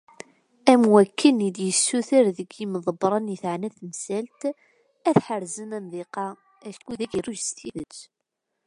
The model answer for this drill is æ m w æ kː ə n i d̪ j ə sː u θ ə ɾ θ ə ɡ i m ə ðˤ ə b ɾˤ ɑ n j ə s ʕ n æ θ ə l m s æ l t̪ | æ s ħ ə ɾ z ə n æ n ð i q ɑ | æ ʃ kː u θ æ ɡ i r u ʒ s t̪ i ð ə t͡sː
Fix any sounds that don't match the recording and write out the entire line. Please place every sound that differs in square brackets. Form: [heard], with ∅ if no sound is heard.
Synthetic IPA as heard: æ m w æ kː ə n i d̪ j ə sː u θ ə ɾ [ð] ə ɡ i m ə ðˤ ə b ɾˤ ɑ n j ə [θ] ʕ n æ θ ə [∅] m s æ l t̪ | æ [θ] ħ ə ɾ z ə n æ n ð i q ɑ | æ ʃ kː u [ð] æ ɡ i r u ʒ s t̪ i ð ə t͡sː